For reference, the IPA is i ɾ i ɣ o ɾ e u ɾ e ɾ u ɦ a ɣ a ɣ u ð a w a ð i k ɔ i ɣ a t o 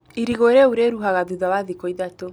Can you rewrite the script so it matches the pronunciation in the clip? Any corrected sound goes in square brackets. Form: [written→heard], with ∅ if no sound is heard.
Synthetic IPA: i ɾ i ɣ o ɾ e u ɾ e ɾ u ɦ a ɣ a [ɣ→ð] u ð a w a ð i k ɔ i [ɣ→ð] a t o